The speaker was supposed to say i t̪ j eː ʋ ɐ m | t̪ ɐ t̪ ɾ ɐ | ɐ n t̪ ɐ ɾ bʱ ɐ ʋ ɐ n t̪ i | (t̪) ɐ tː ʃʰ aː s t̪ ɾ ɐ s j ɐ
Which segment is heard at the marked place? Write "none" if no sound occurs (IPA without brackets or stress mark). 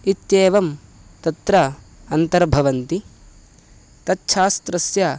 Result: t̪